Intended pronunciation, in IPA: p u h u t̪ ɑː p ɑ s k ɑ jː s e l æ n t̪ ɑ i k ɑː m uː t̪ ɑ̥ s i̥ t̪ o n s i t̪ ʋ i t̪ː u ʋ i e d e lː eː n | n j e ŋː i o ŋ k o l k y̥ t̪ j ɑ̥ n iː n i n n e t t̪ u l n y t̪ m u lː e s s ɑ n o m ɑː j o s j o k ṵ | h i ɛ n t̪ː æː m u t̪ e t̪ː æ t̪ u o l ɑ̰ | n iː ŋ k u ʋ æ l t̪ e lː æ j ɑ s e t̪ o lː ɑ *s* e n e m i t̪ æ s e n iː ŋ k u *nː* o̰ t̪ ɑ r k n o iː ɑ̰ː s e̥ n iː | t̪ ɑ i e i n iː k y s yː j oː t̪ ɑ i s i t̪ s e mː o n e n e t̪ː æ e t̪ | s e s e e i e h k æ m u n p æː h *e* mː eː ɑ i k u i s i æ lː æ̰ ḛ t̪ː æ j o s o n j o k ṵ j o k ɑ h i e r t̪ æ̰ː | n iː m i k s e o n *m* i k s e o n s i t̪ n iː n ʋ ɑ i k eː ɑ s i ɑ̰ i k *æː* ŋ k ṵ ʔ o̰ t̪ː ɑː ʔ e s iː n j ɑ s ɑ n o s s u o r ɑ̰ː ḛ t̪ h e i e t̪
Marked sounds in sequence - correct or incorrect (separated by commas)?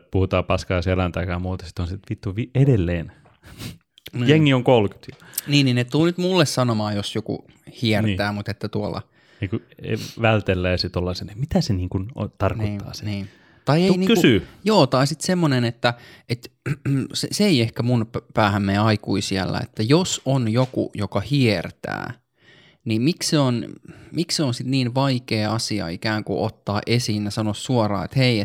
correct, incorrect, incorrect, correct, correct